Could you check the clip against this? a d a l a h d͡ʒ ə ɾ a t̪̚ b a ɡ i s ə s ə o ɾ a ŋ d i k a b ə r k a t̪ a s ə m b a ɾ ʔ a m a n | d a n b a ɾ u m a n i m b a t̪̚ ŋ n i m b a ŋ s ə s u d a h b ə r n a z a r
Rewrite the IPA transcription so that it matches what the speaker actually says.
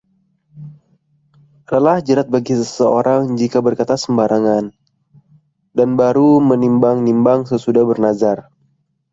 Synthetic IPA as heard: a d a l a h d͡ʒ ə ɾ a t̪̚ b a ɡ i s ə s ə o ɾ a ŋ d͡ʒ i k a b ə r k a t̪ a s ə m b a ɾ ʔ a ŋ a n | d a n b a ɾ u m ə n i m b a ŋ n i m b a ŋ s ə s u d a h b ə r n a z a r